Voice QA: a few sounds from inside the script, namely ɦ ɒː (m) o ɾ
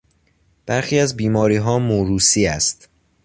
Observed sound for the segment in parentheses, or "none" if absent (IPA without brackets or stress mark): m